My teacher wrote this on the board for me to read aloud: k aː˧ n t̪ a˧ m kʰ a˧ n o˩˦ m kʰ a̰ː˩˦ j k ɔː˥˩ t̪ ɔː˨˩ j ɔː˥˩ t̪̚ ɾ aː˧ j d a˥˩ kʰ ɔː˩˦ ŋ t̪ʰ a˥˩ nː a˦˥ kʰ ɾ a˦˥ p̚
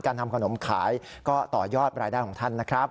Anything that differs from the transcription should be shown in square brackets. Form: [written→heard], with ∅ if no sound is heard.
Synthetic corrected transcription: k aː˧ n [t̪→t̪ʰ] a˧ m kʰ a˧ n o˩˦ m kʰ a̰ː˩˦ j k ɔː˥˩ t̪ ɔː˨˩ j ɔː˥˩ t̪̚ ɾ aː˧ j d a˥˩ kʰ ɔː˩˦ ŋ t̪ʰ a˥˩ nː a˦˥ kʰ ɾ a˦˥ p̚